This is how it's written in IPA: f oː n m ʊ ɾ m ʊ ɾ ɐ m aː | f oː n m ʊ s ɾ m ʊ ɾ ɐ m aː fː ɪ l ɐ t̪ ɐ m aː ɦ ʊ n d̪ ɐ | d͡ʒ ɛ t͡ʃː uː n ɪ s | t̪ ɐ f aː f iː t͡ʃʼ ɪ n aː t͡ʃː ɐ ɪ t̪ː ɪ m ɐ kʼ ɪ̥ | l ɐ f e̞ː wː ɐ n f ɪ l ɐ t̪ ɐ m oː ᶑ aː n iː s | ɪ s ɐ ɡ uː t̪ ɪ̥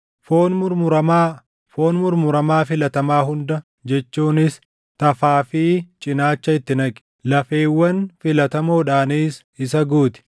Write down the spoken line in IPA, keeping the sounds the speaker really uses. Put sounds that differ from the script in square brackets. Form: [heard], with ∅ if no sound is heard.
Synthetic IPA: f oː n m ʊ ɾ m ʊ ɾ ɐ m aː | f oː n m ʊ [∅] ɾ m ʊ ɾ ɐ m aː [f] ɪ l ɐ t̪ ɐ m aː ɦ ʊ n d̪ ɐ | d͡ʒ ɛ t͡ʃː uː n ɪ s | t̪ ɐ f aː f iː t͡ʃʼ ɪ n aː t͡ʃː ɐ ɪ t̪ː ɪ [n] ɐ kʼ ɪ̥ | l ɐ f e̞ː wː ɐ n f ɪ l ɐ t̪ ɐ m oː ᶑ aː n iː s | ɪ s ɐ ɡ uː t̪ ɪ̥

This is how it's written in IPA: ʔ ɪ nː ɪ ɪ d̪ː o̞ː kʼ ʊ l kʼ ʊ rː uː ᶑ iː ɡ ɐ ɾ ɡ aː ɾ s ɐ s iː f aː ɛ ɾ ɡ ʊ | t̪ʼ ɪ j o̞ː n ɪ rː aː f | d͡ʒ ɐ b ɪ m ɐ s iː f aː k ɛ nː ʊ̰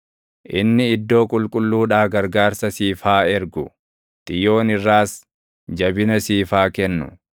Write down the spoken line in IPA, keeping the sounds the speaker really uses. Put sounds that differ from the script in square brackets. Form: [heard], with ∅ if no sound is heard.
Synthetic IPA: ʔ ɪ nː ɪ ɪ d̪ː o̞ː kʼ ʊ l kʼ ʊ [lː] uː ᶑ [aː] ɡ ɐ ɾ ɡ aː ɾ s ɐ s iː f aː ɛ ɾ ɡ ʊ | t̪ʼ ɪ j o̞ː n ɪ rː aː [s] | d͡ʒ ɐ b ɪ [n] ɐ s iː f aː k ɛ nː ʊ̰

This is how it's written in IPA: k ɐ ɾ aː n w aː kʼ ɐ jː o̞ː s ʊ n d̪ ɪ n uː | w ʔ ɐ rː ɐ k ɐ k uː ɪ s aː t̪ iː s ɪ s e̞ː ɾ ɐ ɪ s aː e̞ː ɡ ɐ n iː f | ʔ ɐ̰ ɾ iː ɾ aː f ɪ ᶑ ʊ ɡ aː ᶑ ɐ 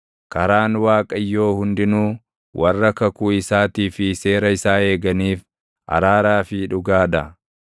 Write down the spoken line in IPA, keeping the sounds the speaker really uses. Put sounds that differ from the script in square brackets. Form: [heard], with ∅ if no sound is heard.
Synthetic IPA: k ɐ ɾ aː n w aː kʼ ɐ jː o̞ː [h] ʊ n d̪ ɪ n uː | w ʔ ɐ rː ɐ k ɐ k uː ɪ s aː t̪ iː [f] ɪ s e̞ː ɾ ɐ ɪ s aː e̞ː ɡ ɐ n iː f | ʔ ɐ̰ ɾ [aː] ɾ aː f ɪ ᶑ ʊ ɡ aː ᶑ ɐ

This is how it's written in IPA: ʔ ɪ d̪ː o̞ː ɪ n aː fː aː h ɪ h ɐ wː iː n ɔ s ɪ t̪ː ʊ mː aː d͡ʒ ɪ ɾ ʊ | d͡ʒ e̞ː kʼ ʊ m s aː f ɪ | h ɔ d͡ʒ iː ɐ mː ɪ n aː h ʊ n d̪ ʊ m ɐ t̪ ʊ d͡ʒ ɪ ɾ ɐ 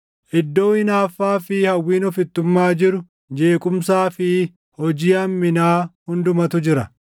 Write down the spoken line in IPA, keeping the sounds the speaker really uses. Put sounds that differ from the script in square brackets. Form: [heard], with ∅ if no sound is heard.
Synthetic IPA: ʔ ɪ d̪ː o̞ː ɪ n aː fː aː [f] ɪ h ɐ wː iː n ɔ [f] ɪ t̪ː ʊ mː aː d͡ʒ ɪ ɾ ʊ | d͡ʒ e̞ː kʼ ʊ m s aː f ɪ | h ɔ d͡ʒ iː ɐ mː ɪ n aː h ʊ n d̪ ʊ m ɐ t̪ ʊ d͡ʒ ɪ ɾ ɐ

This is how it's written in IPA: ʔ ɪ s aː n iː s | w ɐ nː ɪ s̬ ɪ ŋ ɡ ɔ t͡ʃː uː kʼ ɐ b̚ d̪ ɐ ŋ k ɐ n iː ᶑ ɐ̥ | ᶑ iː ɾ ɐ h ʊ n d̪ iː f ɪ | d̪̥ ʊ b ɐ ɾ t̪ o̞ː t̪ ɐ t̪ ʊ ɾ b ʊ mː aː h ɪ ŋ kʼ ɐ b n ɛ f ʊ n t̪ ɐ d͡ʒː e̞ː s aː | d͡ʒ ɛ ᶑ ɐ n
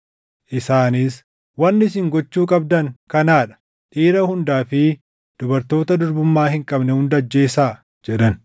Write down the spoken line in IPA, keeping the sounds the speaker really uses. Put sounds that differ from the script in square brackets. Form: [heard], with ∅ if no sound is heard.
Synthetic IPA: ʔ ɪ s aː n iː s | w ɐ nː ɪ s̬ ɪ ŋ ɡ ɔ t͡ʃː uː kʼ ɐ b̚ d̪ ɐ ŋ k ɐ n [aː] ᶑ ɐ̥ | ᶑ iː ɾ ɐ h ʊ n d̪ [aː] f ɪ | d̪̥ ʊ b ɐ ɾ t̪ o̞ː t̪ ɐ [d̪] ʊ ɾ b ʊ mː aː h ɪ ŋ kʼ ɐ b n ɛ [h] ʊ n [d̪] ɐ d͡ʒː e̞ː s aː | d͡ʒ ɛ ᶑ ɐ n

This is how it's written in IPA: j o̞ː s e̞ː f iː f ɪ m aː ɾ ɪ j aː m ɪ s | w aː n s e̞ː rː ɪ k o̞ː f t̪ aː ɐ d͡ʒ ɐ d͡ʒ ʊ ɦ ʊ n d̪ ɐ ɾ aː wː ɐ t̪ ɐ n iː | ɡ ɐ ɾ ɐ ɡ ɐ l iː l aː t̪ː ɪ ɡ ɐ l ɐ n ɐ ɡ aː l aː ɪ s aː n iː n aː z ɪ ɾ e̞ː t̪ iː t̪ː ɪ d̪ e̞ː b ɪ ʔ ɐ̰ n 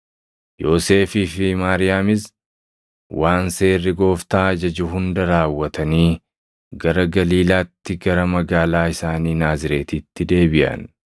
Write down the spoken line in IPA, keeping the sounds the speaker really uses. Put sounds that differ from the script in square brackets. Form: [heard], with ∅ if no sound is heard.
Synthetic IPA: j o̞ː s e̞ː f iː f ɪ m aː ɾ ɪ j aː m ɪ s | w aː n s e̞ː rː ɪ [ɡ] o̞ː f t̪ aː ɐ d͡ʒ ɐ d͡ʒ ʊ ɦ ʊ n d̪ ɐ ɾ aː wː ɐ t̪ ɐ n iː | ɡ ɐ ɾ ɐ ɡ ɐ l iː l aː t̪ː ɪ ɡ ɐ [ɾ] ɐ [m] ɐ ɡ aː l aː ɪ s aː n iː n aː z ɪ ɾ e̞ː t̪ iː t̪ː ɪ d̪ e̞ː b ɪ ʔ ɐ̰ n

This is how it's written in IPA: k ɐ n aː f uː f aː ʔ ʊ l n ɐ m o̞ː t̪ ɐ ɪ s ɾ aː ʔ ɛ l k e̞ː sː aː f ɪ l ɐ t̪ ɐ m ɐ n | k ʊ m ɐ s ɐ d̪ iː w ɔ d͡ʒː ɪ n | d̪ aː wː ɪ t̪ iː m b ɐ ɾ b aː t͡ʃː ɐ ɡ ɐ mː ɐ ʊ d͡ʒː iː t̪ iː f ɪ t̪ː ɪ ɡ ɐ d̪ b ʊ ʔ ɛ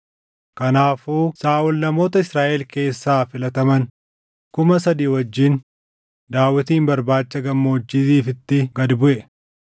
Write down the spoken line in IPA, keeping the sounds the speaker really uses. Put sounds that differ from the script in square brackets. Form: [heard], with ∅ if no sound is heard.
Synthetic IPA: k ɐ n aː f uː [s] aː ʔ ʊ l n ɐ m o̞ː t̪ ɐ ɪ s ɾ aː ʔ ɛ l k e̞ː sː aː f ɪ l ɐ t̪ ɐ m ɐ n | k ʊ m ɐ s ɐ d̪ iː w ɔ d͡ʒː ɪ n | d̪ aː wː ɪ t̪ iː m b ɐ ɾ b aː t͡ʃː ɐ ɡ ɐ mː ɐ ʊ d͡ʒː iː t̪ iː f ɪ t̪ː ɪ ɡ ɐ d̪ b ʊ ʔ ɛ

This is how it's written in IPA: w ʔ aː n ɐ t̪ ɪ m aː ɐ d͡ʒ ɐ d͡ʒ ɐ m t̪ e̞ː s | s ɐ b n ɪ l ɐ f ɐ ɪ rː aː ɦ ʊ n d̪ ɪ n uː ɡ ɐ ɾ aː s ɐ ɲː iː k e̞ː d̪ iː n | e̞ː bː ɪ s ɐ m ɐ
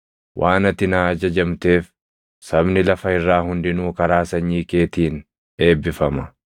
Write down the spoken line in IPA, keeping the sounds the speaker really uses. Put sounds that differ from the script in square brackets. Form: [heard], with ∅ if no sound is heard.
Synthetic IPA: w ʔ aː n ɐ t̪ ɪ [n] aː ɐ d͡ʒ ɐ d͡ʒ ɐ m t̪ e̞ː [f] | s ɐ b n ɪ l ɐ f ɐ ɪ rː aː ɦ ʊ n d̪ ɪ n uː [k] ɐ ɾ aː s ɐ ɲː iː k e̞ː [t̪] iː n | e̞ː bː ɪ [f] ɐ m ɐ

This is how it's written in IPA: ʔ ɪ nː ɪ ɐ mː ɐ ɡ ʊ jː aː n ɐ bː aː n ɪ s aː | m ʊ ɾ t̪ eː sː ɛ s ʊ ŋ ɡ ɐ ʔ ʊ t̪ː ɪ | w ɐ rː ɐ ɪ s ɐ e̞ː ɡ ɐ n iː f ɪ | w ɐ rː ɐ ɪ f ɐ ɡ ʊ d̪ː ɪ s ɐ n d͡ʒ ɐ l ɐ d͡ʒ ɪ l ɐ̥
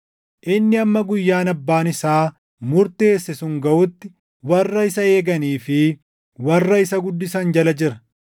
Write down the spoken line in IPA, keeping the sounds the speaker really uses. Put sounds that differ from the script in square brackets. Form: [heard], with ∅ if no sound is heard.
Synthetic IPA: ʔ ɪ nː ɪ ɐ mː ɐ ɡ ʊ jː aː n ɐ bː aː n ɪ s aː | m ʊ ɾ t̪ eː sː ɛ s ʊ ŋ ɡ ɐ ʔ ʊ t̪ː ɪ | w ɐ rː ɐ ɪ s ɐ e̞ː ɡ ɐ n iː f ɪ | w ɐ rː ɐ ɪ [s] ɐ ɡ ʊ d̪ː ɪ s ɐ n d͡ʒ ɐ l ɐ d͡ʒ ɪ [ɾ] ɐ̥

